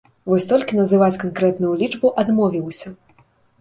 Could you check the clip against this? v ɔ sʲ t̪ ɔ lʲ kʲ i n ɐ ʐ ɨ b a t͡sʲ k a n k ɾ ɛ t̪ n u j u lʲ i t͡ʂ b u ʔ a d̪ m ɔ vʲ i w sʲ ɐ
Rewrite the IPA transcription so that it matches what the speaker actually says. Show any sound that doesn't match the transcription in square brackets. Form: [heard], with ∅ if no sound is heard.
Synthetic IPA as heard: v ɔ sʲ t̪ ɔ lʲ kʲ i n ɐ [z] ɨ [v] a t͡sʲ k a n k ɾ ɛ t̪ n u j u lʲ i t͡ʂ b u ʔ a d̪ m ɔ vʲ i w sʲ ɐ